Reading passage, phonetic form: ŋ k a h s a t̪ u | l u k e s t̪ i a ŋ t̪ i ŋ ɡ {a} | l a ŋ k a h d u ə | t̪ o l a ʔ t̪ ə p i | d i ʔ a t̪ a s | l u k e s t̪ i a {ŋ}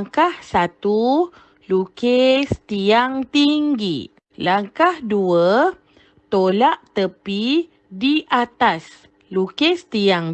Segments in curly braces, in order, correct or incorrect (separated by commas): incorrect, correct